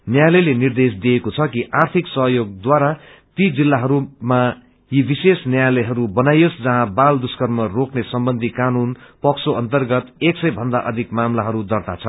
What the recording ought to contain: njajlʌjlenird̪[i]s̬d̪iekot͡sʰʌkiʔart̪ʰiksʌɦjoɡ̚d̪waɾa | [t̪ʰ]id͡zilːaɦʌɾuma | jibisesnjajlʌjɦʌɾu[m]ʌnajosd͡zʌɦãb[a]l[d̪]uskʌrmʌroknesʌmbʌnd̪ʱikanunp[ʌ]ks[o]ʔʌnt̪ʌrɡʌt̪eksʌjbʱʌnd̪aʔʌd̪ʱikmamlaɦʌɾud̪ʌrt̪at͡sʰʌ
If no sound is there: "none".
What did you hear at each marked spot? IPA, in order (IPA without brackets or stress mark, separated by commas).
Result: e, t̪, b, a, d̪, ʌ, o